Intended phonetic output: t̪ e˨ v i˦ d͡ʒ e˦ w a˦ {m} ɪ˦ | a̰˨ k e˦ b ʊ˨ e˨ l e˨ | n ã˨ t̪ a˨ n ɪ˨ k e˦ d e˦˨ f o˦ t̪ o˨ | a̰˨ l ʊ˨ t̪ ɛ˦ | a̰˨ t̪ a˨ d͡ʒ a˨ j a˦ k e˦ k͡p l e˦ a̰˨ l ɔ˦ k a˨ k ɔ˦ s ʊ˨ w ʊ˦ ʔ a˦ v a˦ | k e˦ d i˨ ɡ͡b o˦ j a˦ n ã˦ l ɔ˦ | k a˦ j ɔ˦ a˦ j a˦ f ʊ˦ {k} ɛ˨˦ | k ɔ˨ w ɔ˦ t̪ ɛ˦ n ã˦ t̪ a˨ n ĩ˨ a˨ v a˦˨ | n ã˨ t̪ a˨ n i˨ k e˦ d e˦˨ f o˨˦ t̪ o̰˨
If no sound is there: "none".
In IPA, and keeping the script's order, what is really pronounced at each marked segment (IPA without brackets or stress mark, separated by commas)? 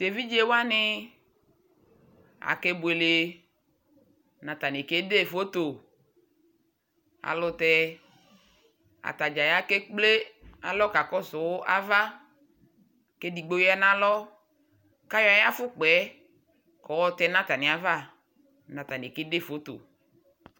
n, k͡p